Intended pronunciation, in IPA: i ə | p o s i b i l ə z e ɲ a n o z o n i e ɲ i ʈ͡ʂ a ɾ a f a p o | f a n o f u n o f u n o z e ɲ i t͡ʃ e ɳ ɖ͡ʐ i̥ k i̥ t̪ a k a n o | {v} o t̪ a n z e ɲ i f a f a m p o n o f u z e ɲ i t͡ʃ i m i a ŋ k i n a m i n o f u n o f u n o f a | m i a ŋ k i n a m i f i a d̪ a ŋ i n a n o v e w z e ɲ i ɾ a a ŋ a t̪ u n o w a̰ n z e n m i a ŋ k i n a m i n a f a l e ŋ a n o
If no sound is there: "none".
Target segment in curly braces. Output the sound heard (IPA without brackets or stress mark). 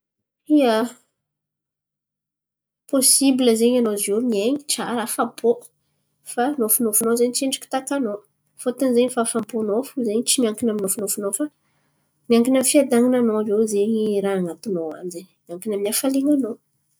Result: f